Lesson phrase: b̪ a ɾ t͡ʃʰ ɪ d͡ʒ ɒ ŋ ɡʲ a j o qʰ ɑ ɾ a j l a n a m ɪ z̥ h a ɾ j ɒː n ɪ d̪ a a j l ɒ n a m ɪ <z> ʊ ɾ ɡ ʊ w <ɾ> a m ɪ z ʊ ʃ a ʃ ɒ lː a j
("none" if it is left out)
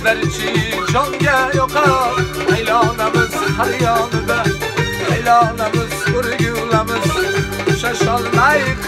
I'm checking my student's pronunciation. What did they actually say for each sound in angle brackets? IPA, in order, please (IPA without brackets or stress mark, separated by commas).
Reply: z, l